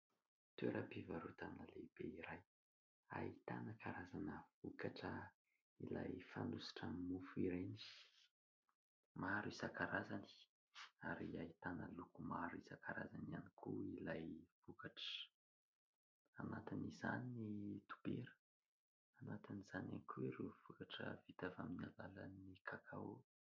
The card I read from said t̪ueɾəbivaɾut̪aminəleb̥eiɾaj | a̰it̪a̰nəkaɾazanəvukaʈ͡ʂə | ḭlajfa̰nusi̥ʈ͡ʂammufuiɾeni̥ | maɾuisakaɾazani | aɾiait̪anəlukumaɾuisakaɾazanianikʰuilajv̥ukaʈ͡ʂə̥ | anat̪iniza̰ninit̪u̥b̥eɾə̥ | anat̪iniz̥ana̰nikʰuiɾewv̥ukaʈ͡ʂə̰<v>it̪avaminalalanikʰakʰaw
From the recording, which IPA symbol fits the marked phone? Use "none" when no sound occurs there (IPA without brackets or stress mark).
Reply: v